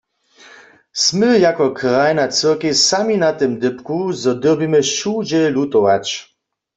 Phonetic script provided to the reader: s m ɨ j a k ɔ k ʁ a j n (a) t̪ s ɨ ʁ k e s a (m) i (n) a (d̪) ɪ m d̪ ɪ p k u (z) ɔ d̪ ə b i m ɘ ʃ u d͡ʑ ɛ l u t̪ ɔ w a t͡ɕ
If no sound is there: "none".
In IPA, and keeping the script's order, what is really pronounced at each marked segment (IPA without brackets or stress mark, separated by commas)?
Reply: a, m, n, t̪, z